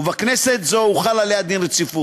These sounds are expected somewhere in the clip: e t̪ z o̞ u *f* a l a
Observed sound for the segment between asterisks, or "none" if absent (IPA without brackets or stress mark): χ